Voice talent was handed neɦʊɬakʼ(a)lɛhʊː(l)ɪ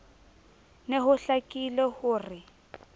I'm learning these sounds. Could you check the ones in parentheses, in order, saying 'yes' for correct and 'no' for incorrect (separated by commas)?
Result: no, no